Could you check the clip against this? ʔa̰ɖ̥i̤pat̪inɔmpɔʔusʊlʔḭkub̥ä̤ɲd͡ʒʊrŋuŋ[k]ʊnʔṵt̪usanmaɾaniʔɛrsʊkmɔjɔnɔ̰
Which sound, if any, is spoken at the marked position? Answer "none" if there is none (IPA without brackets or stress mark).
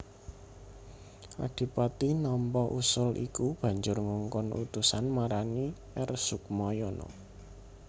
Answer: k